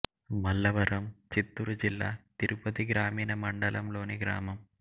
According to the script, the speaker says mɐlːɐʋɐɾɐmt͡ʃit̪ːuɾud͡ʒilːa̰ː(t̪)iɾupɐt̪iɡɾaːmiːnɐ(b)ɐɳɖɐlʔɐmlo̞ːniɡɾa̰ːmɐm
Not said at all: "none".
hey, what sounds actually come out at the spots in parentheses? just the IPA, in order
t̪, m

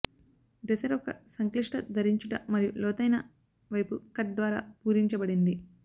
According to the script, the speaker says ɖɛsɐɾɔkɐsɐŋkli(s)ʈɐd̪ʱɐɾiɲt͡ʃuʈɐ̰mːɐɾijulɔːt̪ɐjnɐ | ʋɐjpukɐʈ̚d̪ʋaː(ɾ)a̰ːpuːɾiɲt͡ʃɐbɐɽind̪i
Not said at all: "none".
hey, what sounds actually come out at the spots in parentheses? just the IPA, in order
ʂ, ɾ

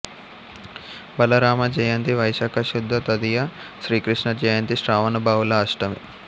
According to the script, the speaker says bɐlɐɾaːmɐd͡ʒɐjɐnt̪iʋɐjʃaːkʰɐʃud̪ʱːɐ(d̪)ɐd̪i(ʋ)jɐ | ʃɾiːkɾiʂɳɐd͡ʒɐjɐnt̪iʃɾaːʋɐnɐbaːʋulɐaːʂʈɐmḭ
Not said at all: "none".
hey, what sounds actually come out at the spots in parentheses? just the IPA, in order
t̪, none

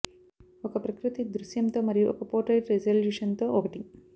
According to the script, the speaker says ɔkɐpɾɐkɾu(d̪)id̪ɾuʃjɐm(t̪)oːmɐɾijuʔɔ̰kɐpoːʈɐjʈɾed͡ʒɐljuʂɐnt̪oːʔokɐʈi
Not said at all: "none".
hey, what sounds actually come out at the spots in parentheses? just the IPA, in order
t̪, t̪

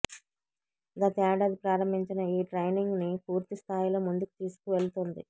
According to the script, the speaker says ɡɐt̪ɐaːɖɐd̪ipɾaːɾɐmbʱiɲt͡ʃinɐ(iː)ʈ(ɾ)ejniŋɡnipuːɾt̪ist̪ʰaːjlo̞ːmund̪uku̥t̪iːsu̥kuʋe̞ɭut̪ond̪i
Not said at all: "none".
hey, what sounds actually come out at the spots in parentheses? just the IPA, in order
iː, ɾ

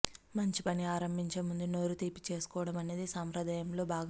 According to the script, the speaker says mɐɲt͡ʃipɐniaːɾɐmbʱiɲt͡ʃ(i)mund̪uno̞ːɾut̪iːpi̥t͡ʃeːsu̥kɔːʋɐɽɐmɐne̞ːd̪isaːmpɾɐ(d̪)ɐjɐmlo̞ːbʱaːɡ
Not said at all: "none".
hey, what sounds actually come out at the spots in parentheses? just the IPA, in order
e, d̪

